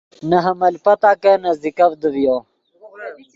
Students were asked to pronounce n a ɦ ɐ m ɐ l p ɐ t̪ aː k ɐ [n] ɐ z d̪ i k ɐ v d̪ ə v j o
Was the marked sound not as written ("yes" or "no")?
no